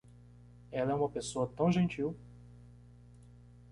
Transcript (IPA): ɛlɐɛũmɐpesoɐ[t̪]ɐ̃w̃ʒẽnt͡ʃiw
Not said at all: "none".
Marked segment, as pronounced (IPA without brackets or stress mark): t̪